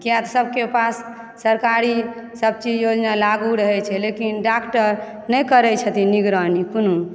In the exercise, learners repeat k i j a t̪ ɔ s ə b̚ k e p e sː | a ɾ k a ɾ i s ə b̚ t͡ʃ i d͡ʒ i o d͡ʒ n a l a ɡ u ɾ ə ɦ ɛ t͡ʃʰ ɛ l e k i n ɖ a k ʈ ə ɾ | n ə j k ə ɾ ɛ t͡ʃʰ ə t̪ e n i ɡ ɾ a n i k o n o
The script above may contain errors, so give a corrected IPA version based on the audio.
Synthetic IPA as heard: k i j a t̪ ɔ s ə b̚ k e p a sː | ə ɾ k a ɾ i s ə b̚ t͡ʃ i d͡ʒ j o d͡ʒ n a l a ɡ u ɾ ə ɦ ɛ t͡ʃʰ ɛ l e k i n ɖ a k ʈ ə ɾ | n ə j k ə ɾ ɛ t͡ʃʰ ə t̪ i n i ɡ ɾ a n i k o n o